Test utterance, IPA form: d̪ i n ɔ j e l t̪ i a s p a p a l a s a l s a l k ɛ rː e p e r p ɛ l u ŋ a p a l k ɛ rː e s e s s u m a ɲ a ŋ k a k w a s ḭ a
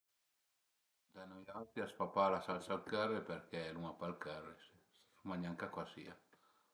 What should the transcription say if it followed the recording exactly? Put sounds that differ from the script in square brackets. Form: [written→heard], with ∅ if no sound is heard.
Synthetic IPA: d̪ [i→a] n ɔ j [e→a] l t̪ i a s p a p a l a s a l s a l k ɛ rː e p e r [p→k] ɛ l u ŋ a p a l k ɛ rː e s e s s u m a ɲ a ŋ k a k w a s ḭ a

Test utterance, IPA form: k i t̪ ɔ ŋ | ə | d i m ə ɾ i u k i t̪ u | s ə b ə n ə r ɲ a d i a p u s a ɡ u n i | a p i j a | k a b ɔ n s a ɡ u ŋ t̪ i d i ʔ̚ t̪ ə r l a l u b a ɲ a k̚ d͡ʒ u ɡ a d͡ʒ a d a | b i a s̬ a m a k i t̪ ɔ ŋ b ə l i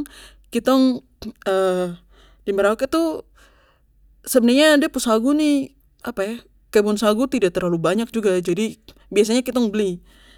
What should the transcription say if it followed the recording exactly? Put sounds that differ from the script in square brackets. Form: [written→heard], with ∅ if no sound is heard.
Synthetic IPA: k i t̪ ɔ ŋ | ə | d i m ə ɾ [i→a] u k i t̪ u | s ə b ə n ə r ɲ a d i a p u s a ɡ u n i | a p [i→a] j a | k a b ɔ n s a ɡ u [ŋ→∅] t̪ i d [i→a] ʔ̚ t̪ ə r l a l u b a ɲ a k̚ d͡ʒ u ɡ a d͡ʒ a d [a→i] | b i a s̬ a [m→ɲ] a k i t̪ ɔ ŋ b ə l i

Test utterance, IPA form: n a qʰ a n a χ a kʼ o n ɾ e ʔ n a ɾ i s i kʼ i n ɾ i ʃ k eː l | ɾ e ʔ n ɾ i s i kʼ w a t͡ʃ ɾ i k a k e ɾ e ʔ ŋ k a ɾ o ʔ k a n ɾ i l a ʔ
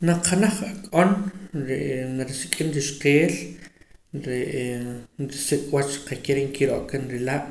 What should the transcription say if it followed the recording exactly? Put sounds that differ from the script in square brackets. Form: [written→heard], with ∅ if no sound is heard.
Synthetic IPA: n a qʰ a n a χ a kʼ o n ɾ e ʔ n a ɾ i s i kʼ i n ɾ i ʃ [k→q] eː l | ɾ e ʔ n ɾ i s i kʼ w a t͡ʃ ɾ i [k→q] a k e ɾ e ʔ ŋ k [a→i] ɾ o ʔ k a n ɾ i l a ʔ

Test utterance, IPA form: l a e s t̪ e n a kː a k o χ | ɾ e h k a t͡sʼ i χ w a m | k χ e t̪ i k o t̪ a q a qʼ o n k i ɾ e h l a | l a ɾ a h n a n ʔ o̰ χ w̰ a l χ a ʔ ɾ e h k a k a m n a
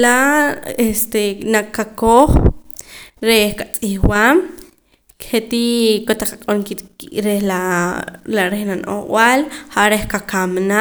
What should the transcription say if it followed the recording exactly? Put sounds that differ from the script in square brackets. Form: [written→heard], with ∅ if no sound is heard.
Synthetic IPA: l a e s t̪ e n a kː a k o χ | ɾ e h k a t͡sʼ i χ w a m | k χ e t̪ i k o t̪ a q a qʼ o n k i ɾ e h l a | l a ɾ [a→e] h n a n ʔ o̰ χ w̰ a l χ a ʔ ɾ e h k a k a m n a

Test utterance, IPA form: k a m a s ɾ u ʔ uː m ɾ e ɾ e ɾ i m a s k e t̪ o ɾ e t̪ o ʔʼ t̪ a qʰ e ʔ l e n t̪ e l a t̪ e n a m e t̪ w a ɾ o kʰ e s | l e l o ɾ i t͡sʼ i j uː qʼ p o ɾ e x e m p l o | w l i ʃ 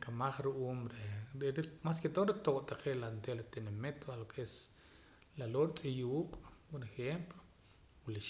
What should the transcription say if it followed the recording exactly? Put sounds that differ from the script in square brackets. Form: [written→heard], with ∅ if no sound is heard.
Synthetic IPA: k a m a [s→χ] ɾ u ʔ uː m ɾ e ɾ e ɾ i m a s k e t̪ o ɾ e t̪ o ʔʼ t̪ a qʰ e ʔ l [e→a] n t̪ e l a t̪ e n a m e t̪ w a [ɾ→l] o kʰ e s | l [e→a] l o ɾ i t͡sʼ i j uː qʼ p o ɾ e x e m p l o | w l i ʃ

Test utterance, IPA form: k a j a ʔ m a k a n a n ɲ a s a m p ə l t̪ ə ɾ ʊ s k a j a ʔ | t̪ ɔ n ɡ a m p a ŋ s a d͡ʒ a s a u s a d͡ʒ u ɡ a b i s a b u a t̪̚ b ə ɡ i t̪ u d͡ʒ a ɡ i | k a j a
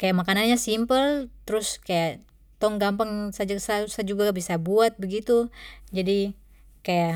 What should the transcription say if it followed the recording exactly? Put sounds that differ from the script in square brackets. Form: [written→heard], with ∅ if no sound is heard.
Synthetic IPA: k a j a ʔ m a k a n a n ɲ a s [a→i] m p ə l t̪ ə ɾ ʊ s k a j a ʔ | t̪ ɔ [n→ŋ] ɡ a m p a ŋ s a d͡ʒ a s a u s a d͡ʒ u ɡ a b i s a b u a t̪̚ b ə ɡ i t̪ u d͡ʒ a [ɡ→d] i | k a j a

